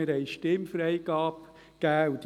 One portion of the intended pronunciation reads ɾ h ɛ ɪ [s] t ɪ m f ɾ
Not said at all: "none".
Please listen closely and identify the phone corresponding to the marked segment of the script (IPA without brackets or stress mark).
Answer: ʃ